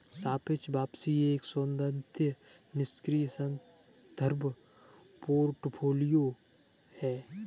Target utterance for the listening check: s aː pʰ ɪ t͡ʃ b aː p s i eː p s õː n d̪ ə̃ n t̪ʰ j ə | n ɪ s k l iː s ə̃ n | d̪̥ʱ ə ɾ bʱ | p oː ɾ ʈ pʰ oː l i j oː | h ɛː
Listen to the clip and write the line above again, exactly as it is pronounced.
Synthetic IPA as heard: s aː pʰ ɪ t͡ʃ b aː p s i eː k s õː n d̪ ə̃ n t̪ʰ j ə | n ɪ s k ɾ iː s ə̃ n | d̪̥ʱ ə ɾ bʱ | p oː ɾ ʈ pʰ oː l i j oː | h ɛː